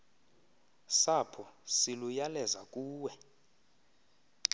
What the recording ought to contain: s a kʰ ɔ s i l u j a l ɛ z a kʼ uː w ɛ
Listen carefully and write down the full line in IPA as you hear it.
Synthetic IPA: s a pʰ ɔ s i l u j a l ɛ z a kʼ uː w ɛ